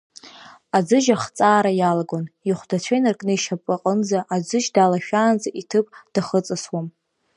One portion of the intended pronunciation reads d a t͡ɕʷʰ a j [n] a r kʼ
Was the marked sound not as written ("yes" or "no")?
no